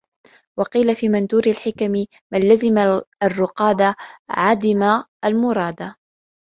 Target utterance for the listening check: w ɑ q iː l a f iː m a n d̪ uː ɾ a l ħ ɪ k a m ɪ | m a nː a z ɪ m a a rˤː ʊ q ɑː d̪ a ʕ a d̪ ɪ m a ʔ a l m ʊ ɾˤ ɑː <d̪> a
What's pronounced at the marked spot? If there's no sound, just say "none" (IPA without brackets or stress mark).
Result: d̪